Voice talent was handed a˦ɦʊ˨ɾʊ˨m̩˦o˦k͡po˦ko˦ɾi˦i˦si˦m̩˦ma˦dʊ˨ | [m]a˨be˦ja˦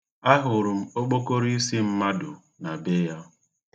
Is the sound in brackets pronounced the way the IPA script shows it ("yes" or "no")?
no